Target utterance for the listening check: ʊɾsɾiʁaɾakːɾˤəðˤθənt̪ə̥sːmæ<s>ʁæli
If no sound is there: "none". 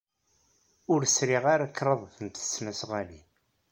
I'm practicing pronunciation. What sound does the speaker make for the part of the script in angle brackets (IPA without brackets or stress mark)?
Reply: s